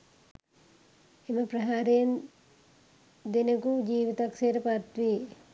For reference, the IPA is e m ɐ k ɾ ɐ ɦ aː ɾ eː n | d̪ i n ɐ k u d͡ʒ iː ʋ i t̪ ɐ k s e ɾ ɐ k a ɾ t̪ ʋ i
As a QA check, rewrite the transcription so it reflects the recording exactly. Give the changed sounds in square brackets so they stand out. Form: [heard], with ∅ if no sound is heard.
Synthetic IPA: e m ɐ [p] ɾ ɐ ɦ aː ɾ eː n | d̪ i n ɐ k u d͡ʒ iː ʋ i t̪ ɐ k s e ɾ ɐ [p] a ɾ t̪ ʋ i